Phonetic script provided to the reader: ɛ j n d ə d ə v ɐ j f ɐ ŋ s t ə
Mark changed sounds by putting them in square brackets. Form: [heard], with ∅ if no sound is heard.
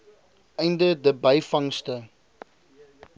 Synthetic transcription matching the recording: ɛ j n d ə d ə [b] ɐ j f ɐ ŋ s t ə